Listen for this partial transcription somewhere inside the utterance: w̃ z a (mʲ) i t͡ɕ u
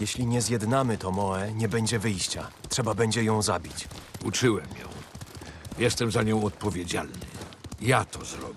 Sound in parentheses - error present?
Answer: yes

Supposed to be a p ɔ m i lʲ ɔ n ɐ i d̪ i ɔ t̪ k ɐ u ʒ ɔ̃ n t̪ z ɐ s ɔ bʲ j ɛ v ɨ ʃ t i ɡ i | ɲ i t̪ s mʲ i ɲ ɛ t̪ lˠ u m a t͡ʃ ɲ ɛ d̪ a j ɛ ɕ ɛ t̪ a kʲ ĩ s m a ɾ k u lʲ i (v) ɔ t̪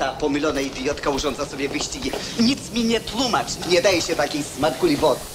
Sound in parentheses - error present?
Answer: no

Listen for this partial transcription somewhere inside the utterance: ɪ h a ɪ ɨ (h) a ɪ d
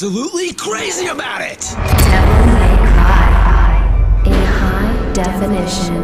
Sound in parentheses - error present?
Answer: no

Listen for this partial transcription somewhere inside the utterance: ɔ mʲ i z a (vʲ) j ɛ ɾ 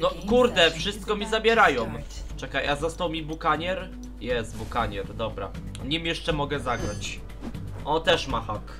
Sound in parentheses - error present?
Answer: yes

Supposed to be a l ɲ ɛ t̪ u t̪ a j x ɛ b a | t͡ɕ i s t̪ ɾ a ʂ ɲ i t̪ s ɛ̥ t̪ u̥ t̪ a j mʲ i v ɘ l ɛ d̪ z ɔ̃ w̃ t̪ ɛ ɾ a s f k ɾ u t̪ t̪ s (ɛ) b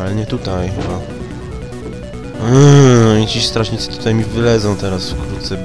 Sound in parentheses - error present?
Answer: no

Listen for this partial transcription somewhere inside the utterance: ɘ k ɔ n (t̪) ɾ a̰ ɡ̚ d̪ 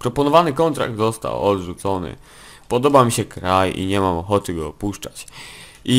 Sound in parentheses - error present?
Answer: no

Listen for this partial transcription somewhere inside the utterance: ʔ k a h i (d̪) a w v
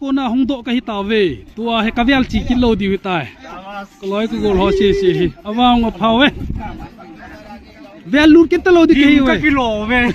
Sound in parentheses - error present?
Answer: yes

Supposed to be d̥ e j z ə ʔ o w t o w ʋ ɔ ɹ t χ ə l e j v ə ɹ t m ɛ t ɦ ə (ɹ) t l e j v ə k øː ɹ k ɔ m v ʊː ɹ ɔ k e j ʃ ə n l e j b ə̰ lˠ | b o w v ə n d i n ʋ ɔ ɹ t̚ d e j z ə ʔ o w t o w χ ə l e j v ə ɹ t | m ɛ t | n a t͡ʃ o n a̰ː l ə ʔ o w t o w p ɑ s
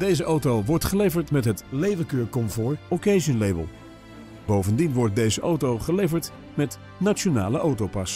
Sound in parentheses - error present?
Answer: yes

